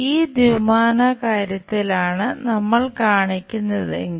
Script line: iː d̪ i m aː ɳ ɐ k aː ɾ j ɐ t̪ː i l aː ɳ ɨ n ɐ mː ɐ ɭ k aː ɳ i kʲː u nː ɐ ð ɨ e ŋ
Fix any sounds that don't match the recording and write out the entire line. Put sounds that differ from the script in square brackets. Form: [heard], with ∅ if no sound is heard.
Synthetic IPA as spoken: iː d̪ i m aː [n] ɐ k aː ɾ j ɐ t̪ː i l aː ɳ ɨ n ɐ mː ɐ ɭ k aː ɳ i kʲː u nː ɐ ð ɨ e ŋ